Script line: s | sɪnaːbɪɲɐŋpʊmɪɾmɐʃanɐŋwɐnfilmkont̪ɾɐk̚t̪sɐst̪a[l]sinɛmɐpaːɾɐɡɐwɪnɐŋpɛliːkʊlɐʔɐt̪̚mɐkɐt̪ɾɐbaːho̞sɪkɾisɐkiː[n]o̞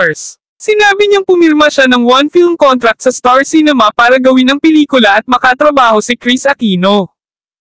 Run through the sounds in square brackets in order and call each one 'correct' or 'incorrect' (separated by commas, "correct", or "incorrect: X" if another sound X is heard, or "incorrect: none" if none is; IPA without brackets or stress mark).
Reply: incorrect: ɹ, correct